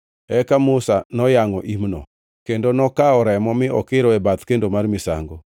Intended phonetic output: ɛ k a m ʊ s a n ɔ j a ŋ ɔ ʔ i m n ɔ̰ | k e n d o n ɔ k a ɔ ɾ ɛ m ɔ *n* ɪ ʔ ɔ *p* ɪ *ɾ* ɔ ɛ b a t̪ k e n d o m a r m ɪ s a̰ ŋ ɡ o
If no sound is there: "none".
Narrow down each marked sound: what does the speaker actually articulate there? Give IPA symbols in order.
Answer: m, k, ɾ

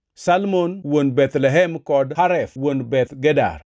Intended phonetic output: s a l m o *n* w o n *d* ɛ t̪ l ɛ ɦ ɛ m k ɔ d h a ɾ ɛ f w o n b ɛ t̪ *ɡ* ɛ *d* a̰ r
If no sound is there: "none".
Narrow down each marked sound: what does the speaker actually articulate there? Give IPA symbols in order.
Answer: n, b, ɡ, d

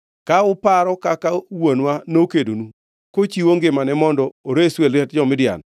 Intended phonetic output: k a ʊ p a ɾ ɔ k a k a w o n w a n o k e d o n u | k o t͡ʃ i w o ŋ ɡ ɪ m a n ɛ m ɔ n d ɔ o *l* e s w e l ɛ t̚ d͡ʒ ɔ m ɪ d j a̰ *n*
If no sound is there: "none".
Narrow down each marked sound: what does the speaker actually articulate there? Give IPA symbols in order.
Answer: ɾ, n

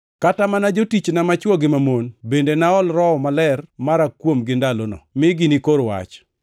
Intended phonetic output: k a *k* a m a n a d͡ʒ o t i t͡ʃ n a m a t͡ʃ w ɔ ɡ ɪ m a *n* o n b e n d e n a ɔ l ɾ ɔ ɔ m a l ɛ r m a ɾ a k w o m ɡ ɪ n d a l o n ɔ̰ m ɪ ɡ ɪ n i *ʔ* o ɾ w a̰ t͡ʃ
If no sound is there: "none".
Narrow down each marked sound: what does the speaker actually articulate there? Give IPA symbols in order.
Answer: t, m, k

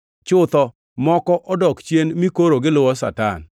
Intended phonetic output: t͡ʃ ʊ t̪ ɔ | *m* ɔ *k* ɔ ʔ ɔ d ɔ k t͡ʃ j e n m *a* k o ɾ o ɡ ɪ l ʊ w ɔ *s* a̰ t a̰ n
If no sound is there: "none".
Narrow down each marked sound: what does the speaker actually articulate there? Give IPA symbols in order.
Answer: m, k, i, s

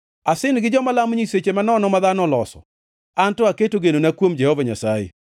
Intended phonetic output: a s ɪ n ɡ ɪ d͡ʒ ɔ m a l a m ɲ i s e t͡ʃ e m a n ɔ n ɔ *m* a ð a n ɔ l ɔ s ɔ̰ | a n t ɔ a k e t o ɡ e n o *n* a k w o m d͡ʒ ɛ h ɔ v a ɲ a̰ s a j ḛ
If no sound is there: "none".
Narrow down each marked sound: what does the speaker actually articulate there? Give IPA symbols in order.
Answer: m, n

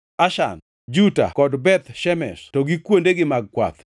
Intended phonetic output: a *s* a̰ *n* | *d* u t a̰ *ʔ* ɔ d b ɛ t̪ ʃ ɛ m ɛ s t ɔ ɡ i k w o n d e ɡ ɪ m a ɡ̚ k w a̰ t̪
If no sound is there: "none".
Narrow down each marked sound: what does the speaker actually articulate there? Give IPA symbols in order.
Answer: ʃ, n, d͡ʒ, k

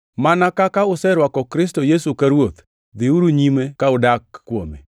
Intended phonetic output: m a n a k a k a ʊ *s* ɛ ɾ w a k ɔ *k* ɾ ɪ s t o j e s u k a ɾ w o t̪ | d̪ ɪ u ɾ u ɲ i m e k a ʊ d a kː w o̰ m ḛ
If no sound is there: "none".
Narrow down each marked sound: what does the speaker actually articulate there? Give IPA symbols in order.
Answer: s, k

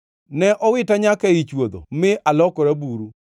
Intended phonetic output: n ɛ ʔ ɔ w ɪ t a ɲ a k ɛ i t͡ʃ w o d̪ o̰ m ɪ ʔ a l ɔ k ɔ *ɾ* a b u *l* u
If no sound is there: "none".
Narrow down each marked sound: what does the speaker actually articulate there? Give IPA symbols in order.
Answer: ɾ, ɾ

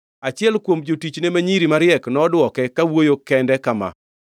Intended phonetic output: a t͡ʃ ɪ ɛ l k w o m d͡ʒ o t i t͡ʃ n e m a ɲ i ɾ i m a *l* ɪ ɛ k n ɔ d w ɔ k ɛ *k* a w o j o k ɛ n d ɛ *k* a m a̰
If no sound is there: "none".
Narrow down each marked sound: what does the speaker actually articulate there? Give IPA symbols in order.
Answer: ɾ, k, k

